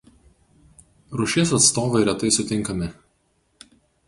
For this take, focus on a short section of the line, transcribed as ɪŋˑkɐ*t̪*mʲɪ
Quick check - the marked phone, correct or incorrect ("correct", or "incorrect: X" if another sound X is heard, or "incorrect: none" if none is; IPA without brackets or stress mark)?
incorrect: none